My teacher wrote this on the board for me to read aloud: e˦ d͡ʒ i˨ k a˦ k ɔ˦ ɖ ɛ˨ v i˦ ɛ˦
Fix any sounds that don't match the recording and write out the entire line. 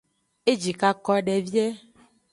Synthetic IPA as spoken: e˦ d͡ʒ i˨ k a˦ k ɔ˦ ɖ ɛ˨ v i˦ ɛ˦